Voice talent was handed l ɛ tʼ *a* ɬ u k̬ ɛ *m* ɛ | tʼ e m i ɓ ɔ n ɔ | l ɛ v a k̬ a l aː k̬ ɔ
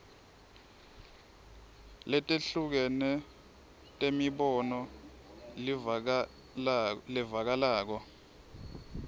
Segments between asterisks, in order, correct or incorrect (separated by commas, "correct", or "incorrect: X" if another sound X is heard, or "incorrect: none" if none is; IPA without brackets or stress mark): incorrect: e, incorrect: n